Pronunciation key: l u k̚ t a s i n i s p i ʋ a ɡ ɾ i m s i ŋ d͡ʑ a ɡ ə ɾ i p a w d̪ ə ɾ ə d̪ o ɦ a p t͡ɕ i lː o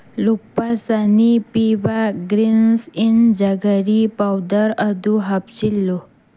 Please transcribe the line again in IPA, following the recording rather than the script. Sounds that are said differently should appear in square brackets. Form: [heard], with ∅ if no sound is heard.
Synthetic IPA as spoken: l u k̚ [p] a s [a] n i [∅] p i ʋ a ɡ ɾ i [n] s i [n] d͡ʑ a ɡ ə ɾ i p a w d̪ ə ɾ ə d̪ [u] ɦ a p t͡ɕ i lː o